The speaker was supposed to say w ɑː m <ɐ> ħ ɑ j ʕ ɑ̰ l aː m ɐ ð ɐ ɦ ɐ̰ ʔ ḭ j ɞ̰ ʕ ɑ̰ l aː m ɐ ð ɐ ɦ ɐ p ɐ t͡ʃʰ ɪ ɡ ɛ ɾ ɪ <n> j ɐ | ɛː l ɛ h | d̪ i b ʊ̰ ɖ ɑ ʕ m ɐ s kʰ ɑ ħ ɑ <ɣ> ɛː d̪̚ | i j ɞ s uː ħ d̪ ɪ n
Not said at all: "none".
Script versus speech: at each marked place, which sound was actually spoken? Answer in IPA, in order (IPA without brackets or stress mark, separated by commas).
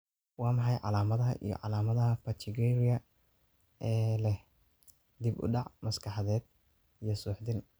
ɑ, none, ð